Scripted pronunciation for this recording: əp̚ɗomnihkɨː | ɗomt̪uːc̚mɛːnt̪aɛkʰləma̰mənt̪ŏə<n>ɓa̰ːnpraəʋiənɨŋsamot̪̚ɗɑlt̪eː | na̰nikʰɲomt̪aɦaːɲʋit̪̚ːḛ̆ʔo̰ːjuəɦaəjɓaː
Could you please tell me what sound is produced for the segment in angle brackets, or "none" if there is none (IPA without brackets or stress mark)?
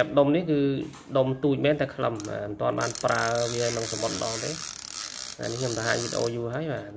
n